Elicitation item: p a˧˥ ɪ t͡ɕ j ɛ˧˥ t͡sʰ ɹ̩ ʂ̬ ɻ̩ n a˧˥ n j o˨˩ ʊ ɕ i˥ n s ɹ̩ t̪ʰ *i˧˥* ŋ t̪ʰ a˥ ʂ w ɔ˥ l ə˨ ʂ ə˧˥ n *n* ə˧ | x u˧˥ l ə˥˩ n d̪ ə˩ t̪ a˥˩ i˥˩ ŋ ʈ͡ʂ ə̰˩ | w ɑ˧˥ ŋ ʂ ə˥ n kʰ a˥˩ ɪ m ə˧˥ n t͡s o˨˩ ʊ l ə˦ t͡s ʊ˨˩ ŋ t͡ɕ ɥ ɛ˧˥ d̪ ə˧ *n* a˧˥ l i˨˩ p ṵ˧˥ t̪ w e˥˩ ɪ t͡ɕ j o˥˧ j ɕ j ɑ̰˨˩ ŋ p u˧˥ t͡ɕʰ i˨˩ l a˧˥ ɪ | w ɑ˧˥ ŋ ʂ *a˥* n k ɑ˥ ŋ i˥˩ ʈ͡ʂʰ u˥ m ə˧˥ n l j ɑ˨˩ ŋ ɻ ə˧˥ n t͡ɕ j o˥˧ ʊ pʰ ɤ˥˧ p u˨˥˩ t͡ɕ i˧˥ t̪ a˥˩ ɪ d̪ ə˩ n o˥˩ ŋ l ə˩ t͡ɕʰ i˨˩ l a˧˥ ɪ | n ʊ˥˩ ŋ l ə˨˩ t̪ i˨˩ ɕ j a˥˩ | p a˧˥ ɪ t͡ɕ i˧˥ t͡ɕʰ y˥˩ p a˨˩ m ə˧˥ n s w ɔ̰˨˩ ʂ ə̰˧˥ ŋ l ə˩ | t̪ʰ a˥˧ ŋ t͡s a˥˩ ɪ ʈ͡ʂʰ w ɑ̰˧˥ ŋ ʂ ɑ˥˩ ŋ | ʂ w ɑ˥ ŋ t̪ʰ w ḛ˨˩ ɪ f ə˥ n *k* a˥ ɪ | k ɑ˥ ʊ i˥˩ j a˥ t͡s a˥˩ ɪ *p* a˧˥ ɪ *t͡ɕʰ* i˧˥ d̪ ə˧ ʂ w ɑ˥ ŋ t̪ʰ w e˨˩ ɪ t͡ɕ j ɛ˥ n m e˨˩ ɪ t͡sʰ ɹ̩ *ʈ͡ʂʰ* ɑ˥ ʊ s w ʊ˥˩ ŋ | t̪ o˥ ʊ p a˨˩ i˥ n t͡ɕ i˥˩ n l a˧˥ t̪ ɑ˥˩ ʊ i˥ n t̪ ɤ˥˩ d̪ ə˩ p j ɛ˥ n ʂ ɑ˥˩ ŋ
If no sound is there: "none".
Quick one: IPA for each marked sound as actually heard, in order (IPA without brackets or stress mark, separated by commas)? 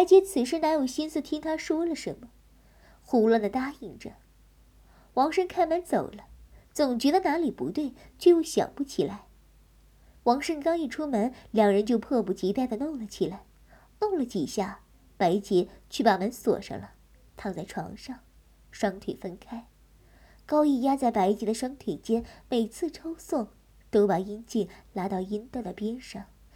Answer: i˥, m, n, ə˥, kʰ, p, t͡ɕ, ʈ͡ʂʰ